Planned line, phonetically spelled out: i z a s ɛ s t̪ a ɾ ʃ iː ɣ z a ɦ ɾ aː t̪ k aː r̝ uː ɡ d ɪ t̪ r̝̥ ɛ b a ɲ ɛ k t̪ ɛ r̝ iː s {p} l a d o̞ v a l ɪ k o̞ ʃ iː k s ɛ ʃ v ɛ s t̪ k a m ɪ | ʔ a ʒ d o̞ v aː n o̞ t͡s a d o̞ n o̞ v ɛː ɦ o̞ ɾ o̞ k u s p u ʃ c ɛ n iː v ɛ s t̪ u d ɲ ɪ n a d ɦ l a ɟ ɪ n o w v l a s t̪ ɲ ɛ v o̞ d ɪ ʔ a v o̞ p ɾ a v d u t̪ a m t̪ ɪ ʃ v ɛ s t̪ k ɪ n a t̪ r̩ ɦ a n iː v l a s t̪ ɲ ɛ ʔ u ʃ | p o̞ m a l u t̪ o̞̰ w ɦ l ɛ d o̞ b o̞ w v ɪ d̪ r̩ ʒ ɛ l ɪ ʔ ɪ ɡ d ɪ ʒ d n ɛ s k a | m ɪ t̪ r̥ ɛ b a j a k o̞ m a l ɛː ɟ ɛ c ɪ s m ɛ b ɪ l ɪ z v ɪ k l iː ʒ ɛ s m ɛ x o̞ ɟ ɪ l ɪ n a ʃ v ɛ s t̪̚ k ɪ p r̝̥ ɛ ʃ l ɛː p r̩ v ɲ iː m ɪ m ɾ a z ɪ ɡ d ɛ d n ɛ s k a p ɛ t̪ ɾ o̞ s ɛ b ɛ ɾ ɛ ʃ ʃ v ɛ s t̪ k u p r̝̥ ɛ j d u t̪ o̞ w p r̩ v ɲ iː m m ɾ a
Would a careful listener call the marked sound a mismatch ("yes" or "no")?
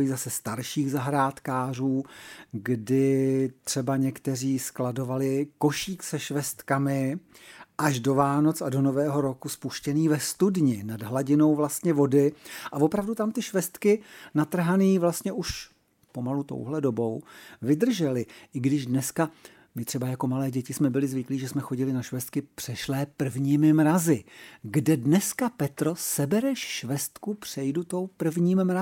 yes